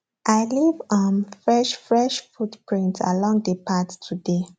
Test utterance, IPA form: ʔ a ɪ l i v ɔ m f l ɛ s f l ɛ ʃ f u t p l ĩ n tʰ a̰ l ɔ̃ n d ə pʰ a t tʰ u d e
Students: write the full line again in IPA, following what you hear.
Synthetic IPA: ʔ a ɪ l i v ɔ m f ɹ ɛ ʃ f ɹ ɛ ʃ f u t p ɹ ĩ n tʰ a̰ l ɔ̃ ŋ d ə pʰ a t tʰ u d e